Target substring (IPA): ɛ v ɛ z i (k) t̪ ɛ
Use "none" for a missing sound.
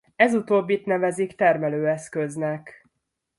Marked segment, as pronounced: k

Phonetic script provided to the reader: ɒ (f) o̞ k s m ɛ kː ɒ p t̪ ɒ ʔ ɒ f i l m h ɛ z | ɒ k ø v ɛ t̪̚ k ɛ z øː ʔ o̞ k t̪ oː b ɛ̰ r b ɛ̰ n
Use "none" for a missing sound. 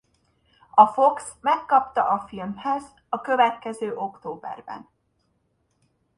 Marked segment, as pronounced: f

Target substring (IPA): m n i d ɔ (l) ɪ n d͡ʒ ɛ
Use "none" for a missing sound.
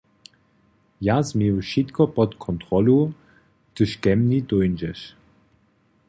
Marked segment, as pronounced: none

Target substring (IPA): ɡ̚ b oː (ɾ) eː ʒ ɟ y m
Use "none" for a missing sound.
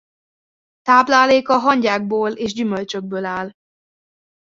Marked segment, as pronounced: l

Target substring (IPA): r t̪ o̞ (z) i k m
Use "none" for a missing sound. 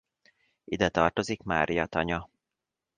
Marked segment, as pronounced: z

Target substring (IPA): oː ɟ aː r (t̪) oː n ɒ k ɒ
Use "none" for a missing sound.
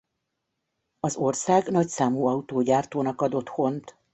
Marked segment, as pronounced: t̪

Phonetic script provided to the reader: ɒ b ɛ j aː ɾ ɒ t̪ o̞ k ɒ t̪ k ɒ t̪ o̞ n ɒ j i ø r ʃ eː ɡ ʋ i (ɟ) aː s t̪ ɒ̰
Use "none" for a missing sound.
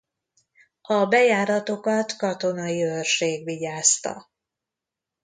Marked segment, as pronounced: ɟ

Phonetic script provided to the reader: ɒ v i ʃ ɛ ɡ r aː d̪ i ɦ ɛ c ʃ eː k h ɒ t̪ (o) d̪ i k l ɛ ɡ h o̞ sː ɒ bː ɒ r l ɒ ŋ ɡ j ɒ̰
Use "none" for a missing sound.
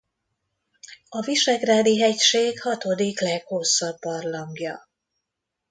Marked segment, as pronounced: o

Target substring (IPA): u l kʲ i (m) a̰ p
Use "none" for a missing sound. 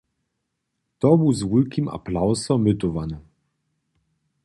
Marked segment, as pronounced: m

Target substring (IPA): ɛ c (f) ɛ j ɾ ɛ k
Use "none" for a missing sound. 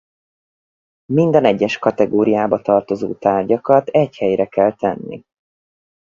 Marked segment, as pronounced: h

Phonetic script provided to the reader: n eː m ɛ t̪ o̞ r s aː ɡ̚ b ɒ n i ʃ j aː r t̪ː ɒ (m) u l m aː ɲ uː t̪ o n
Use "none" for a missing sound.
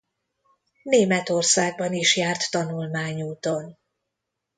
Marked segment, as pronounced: n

